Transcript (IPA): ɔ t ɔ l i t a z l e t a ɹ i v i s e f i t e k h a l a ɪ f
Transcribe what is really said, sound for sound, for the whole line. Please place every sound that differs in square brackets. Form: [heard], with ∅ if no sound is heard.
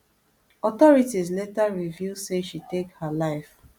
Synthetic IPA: ɔ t ɔ [ɹ] i t [i] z l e t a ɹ i v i s e [ʃ] i t e k h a l a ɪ f